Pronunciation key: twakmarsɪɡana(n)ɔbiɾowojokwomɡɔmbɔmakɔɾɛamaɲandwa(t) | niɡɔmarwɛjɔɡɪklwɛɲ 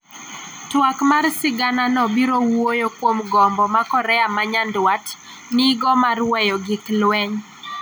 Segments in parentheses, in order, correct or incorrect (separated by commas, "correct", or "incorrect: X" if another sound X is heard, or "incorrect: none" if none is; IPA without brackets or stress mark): correct, correct